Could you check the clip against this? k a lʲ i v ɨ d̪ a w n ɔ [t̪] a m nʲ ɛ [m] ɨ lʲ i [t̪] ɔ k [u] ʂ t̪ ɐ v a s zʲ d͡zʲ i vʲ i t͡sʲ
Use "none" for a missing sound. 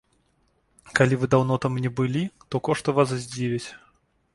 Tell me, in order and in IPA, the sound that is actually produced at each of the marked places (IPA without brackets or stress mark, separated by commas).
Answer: t̪, b, t̪, ɔ